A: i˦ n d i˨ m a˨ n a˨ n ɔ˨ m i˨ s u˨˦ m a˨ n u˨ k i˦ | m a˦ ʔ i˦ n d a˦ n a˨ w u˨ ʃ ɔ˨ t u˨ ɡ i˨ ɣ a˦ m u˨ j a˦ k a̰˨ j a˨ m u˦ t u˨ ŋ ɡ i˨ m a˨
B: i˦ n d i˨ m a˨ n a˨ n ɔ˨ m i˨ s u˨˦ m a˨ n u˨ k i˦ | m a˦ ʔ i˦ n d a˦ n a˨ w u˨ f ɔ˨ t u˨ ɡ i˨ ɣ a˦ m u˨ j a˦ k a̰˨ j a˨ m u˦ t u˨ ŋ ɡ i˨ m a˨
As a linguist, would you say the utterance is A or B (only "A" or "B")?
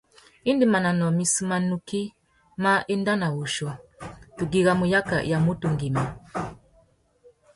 A